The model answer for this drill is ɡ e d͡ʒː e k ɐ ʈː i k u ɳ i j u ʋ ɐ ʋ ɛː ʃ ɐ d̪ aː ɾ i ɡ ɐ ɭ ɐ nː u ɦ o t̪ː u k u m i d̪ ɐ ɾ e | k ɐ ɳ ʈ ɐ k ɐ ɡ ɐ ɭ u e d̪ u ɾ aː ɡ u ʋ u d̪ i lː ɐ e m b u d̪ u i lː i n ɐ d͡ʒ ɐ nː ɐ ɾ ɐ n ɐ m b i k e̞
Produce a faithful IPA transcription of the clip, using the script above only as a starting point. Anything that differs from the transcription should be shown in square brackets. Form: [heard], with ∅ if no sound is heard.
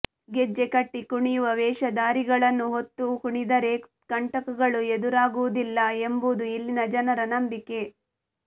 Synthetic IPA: ɡ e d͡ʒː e k ɐ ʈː i k u ɳ i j u ʋ ɐ ʋ ɛː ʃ ɐ d̪ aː ɾ i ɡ ɐ ɭ ɐ nː u ɦ o t̪ː u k u [ɳ] i d̪ ɐ ɾ e | k ɐ ɳ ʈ ɐ k ɐ ɡ ɐ ɭ u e d̪ u ɾ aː ɡ u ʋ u d̪ i lː ɐ e m b u d̪ u i lː i n ɐ d͡ʒ ɐ [n] ɐ ɾ ɐ n ɐ m b i k e̞